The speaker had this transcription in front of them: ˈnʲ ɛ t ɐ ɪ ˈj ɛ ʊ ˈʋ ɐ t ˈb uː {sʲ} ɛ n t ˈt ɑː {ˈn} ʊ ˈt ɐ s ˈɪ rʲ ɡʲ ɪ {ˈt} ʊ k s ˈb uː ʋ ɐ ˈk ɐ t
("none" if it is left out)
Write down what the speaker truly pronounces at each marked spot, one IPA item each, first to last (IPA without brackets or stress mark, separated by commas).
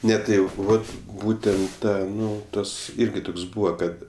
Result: tʲ, n, t